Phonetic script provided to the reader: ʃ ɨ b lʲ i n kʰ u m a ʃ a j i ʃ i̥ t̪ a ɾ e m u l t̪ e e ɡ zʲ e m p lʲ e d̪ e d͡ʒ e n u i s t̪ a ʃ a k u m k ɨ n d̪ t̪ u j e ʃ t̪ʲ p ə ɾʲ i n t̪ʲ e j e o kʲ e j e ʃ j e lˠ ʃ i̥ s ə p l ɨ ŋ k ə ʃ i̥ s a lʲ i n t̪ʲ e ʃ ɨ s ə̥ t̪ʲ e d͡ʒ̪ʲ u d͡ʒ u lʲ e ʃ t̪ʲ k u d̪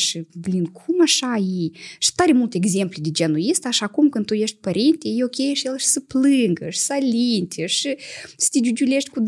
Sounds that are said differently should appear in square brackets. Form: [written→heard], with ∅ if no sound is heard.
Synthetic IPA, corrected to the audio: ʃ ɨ b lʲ i n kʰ u m a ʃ a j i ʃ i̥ t̪ a ɾ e m u l t̪ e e ɡ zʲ e m p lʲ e d̪ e d͡ʒ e n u i s t̪ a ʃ a k u m k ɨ n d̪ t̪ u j e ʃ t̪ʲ p ə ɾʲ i n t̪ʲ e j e o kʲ e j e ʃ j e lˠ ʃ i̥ s ə p l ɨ ŋ [k→ɡ] ə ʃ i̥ s a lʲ i n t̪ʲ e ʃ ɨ s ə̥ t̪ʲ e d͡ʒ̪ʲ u d͡ʒ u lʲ e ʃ t̪ʲ k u d̪